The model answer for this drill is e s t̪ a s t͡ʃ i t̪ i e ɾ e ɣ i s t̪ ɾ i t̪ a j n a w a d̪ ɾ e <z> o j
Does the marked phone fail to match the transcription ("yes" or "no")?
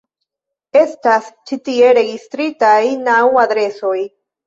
yes